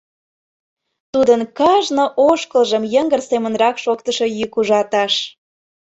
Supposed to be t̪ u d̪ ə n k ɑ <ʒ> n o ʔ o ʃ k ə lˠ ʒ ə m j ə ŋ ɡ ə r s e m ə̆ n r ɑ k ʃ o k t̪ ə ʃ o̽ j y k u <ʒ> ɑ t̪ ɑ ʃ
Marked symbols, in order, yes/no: yes, yes

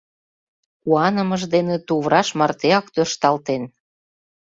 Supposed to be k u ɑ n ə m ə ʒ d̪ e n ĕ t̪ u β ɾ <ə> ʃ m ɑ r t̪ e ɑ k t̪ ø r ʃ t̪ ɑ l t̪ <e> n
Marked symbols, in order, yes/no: no, yes

